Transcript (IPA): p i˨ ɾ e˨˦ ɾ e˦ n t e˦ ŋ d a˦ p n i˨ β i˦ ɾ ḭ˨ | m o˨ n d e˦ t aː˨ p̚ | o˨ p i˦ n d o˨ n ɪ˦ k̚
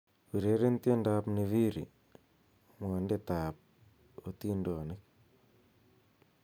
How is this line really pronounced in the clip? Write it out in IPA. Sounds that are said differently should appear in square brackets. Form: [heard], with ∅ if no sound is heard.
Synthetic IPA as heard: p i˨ ɾ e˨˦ ɾ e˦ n t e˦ [n] d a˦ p n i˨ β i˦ ɾ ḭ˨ | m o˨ n d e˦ t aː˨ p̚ | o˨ [t] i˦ n d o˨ n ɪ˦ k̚